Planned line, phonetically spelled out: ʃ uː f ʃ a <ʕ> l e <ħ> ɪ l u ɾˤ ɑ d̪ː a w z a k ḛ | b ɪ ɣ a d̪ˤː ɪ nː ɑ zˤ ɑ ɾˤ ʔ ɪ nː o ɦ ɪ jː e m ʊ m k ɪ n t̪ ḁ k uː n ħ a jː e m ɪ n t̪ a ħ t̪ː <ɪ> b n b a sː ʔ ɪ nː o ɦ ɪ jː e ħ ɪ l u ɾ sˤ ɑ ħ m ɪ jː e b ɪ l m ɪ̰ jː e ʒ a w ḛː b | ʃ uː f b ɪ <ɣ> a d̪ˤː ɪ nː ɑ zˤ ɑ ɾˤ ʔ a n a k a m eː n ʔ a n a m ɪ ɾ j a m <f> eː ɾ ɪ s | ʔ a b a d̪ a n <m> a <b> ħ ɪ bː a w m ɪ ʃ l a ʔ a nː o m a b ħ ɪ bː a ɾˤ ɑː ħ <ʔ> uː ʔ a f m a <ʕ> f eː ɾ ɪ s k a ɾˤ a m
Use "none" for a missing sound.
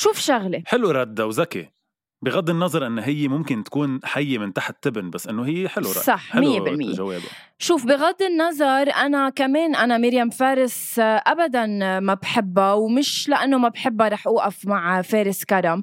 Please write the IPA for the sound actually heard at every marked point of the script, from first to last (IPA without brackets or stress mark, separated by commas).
ɣ, ħ, ɪ, ɣ, f, m, b, ʔ, ʕ